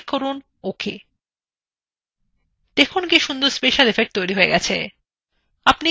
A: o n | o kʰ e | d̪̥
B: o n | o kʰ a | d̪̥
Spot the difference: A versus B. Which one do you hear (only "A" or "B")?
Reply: A